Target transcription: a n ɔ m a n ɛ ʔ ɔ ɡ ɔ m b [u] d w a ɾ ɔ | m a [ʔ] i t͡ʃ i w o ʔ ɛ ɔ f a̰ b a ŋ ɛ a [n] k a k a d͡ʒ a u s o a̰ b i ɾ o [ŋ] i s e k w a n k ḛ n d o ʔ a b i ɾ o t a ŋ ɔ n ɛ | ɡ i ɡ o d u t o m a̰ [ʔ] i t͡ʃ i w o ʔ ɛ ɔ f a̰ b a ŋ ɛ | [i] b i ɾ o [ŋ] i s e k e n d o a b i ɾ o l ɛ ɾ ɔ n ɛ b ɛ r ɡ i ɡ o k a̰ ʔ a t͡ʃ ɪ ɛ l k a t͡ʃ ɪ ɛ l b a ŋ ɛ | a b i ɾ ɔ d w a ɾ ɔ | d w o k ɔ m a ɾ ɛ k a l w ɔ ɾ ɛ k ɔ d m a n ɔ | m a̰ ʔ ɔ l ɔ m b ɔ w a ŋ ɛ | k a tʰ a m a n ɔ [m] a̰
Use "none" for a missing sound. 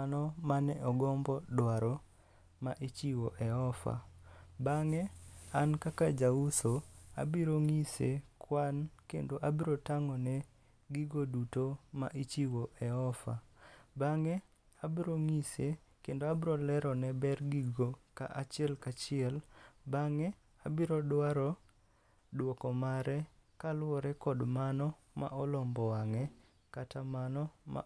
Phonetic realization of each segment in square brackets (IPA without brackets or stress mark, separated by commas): ɔ, ʔ, n, ŋ, ʔ, a, ŋ, m